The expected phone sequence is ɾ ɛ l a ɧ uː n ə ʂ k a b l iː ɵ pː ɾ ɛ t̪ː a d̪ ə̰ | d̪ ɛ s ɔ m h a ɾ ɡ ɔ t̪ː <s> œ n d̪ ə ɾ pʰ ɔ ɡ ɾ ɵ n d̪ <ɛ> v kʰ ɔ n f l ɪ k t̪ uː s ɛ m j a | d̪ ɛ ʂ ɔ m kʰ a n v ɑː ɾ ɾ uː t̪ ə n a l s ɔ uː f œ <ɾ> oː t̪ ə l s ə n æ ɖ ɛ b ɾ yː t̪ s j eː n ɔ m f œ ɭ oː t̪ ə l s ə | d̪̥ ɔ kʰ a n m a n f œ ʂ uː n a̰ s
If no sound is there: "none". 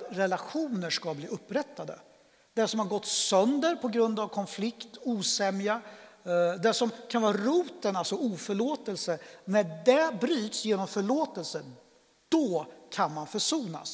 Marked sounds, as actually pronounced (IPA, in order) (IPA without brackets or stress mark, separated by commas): s, a, ɭ